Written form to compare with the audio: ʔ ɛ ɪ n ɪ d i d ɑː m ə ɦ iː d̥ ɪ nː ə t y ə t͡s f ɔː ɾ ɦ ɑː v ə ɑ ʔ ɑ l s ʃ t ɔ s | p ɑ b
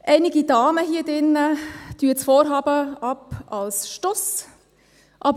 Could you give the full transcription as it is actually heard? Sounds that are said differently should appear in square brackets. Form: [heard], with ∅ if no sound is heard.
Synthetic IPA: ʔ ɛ ɪ n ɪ [ɡ] i d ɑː m ə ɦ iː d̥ ɪ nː ə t y ə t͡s f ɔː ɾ ɦ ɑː [b] ə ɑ [p] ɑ l s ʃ t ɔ s | [ʔ] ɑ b